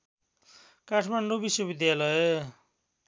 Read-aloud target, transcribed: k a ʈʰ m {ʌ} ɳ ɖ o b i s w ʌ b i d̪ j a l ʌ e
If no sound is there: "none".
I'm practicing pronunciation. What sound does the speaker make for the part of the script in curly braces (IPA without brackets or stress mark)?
a